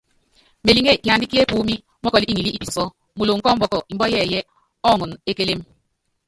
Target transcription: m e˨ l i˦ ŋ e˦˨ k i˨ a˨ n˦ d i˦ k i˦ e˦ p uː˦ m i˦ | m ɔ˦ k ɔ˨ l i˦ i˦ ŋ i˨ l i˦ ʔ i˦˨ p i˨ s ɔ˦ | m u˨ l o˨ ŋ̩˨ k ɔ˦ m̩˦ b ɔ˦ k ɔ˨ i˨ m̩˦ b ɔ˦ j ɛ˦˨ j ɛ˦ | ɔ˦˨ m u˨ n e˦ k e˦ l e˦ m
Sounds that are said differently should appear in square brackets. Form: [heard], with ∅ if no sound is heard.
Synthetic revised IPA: m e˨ l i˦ ŋ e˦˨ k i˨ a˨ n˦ d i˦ k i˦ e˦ p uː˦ m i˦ | m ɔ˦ k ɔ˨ l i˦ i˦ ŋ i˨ l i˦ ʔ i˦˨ p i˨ s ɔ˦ | m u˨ l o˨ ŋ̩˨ k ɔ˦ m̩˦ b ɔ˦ k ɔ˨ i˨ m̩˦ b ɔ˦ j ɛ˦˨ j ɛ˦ | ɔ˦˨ [ŋ] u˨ n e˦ k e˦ l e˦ m